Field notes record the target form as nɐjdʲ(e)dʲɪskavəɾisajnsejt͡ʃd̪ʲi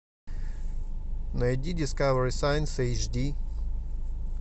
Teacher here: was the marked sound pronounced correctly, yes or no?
no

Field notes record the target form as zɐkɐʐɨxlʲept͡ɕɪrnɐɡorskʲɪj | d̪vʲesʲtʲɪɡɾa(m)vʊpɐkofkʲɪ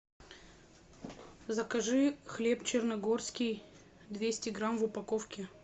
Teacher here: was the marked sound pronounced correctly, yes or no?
yes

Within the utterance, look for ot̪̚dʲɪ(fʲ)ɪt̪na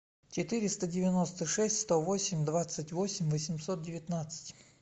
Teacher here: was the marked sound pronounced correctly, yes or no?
no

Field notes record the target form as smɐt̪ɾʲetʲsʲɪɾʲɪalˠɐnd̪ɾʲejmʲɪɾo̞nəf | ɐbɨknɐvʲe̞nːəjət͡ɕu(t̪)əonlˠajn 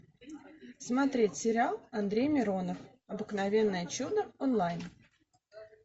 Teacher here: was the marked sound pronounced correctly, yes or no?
no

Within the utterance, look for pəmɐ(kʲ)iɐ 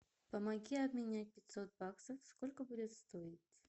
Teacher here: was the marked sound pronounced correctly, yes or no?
no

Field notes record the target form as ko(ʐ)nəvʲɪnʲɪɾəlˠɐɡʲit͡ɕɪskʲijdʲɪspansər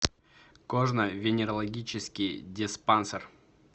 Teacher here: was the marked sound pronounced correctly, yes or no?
yes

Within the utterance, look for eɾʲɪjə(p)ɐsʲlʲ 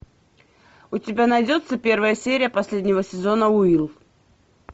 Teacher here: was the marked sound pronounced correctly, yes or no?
yes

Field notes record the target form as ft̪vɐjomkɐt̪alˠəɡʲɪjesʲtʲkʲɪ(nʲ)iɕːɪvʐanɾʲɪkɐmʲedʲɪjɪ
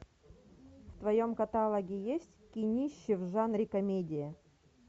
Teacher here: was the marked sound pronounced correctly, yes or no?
yes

